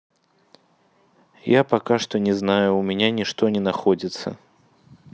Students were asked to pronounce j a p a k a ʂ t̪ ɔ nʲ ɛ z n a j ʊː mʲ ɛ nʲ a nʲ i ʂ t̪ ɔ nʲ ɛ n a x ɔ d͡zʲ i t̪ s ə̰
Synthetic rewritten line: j a p a k a ʂ t̪ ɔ nʲ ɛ z n a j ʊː mʲ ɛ nʲ a nʲ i ʂ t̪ ɔ nʲ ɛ n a x ɔ d͡zʲ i t̪ s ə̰